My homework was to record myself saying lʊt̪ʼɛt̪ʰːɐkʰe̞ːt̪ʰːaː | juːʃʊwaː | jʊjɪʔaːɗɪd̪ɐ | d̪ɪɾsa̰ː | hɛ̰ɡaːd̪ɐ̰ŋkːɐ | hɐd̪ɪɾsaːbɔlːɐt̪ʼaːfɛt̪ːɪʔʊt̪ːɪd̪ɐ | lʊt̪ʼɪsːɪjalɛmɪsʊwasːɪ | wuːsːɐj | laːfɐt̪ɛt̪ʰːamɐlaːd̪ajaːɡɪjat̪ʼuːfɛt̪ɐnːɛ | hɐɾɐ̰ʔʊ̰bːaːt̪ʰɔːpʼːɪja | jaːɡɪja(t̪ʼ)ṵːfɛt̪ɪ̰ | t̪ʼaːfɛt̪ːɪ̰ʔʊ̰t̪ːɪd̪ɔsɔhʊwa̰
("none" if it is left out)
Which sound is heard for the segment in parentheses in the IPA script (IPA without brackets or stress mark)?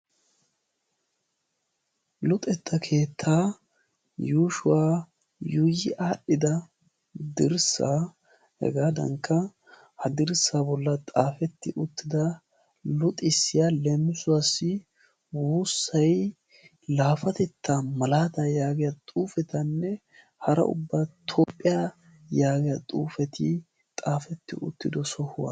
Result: t̪ʼ